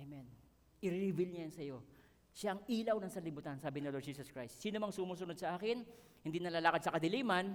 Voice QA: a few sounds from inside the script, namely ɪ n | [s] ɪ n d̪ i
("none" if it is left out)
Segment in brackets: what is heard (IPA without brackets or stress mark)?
h